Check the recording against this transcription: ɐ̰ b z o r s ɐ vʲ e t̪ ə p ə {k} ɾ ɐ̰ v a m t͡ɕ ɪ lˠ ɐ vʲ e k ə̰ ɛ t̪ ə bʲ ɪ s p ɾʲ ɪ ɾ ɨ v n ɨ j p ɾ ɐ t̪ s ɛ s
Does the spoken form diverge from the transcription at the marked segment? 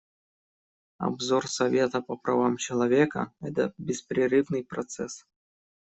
yes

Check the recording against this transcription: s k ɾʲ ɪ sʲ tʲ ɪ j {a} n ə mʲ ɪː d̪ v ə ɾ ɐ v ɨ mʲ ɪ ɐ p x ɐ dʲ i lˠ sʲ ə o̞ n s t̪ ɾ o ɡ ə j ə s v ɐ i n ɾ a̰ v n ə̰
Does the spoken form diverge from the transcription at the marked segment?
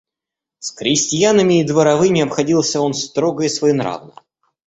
no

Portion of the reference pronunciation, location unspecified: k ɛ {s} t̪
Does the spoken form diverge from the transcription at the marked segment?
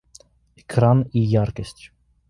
no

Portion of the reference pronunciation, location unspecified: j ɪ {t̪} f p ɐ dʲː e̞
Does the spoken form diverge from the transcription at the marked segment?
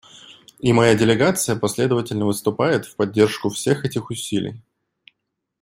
no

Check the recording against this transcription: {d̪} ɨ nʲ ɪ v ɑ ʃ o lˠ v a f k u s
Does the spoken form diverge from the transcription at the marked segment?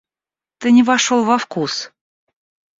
yes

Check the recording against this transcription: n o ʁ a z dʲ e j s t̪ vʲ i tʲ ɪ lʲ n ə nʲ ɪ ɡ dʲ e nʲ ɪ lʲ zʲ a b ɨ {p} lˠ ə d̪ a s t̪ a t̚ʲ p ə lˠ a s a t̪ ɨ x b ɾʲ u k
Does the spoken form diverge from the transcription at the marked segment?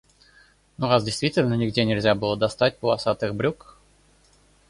yes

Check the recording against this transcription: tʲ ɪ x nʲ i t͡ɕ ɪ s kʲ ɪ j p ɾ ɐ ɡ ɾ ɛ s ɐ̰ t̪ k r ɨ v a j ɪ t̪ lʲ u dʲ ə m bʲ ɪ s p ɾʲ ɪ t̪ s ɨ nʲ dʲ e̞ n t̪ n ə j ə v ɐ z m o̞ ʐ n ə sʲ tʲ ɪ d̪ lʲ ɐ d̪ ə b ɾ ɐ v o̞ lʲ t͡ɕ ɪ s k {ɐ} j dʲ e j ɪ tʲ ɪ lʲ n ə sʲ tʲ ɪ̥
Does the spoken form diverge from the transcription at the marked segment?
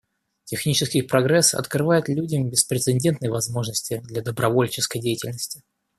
yes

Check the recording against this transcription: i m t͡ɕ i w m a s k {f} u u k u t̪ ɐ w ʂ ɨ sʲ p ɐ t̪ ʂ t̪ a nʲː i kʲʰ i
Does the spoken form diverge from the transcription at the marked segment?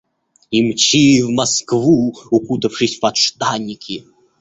yes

